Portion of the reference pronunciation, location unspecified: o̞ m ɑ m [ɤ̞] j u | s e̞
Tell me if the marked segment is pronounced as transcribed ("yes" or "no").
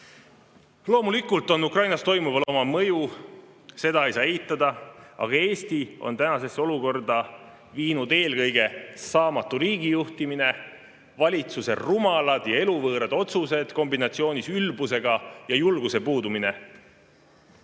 yes